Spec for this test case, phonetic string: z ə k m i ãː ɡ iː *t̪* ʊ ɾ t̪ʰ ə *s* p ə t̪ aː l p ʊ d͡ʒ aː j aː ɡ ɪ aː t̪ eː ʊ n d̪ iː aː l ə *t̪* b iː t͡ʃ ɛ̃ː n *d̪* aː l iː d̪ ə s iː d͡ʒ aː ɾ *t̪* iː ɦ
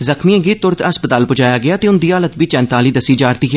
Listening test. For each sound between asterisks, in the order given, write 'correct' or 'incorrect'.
correct, correct, correct, incorrect: t̪, correct

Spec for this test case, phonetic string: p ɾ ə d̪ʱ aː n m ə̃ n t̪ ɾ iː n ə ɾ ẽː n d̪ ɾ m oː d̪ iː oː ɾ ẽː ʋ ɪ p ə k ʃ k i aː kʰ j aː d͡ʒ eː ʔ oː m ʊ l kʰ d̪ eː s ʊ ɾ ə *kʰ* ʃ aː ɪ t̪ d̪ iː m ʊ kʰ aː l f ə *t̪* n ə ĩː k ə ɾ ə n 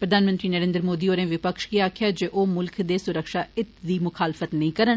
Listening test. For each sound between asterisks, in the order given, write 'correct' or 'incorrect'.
incorrect: k, correct

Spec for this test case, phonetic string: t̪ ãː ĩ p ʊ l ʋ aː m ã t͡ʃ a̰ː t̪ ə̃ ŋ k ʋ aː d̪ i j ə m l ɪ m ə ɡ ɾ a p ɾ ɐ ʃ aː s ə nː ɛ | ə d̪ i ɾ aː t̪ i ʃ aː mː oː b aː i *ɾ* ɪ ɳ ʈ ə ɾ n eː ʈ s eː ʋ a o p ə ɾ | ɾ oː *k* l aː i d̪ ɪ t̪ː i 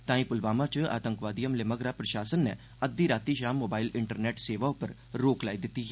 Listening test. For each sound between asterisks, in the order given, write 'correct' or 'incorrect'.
incorrect: l, correct

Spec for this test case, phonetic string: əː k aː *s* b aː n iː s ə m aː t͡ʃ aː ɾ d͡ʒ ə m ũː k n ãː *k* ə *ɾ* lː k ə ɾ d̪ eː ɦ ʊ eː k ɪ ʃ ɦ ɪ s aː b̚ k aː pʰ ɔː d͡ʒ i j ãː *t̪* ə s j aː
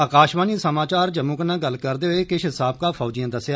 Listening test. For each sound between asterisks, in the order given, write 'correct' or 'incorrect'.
incorrect: ʃ, incorrect: ɡ, incorrect: none, incorrect: d̪

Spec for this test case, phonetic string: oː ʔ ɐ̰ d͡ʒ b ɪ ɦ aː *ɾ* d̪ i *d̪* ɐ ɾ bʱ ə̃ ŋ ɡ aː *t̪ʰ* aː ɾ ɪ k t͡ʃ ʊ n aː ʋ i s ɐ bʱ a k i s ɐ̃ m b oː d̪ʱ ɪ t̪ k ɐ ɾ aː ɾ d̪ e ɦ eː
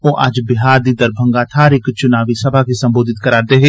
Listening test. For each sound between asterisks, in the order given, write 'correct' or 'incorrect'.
correct, correct, correct

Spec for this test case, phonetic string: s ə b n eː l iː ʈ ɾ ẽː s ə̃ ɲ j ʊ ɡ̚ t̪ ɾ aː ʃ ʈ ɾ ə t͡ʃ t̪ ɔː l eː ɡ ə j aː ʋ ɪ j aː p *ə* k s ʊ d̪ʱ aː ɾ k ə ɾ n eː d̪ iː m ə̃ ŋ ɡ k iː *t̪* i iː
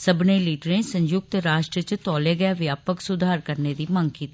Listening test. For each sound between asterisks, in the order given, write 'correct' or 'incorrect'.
correct, correct

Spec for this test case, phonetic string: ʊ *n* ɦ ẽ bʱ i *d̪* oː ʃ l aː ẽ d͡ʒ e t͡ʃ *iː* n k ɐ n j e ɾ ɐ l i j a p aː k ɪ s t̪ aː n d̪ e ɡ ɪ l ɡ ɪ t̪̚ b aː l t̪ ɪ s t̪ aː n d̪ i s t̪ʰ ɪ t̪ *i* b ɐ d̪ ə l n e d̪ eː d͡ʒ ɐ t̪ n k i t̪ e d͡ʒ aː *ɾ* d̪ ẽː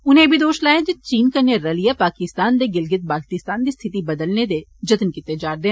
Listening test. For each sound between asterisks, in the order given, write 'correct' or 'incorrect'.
correct, correct, correct, correct, correct

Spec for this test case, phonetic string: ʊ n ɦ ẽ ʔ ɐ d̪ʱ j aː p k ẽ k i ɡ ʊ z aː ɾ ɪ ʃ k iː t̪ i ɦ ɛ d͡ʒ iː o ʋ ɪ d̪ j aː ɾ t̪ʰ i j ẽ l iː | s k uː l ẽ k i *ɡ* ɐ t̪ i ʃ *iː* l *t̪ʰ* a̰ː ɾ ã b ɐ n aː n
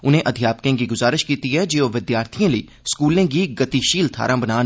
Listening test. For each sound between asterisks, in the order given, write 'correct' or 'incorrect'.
correct, correct, correct

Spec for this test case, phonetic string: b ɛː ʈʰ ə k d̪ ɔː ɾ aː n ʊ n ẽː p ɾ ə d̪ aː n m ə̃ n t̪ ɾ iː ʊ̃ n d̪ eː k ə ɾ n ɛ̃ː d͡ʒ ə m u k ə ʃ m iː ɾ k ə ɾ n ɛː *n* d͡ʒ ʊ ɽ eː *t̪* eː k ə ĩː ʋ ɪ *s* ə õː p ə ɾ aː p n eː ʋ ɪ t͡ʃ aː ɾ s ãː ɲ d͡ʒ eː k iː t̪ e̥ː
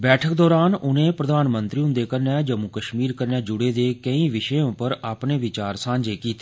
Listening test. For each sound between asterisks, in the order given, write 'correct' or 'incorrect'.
incorrect: none, incorrect: d̪, incorrect: ʃ

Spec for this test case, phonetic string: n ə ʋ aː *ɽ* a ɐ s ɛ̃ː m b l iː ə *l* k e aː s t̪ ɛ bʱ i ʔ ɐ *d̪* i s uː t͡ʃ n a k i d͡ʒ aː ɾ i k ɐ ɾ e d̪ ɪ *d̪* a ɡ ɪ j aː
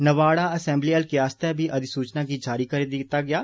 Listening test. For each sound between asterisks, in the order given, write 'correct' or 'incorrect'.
correct, correct, correct, incorrect: t̪

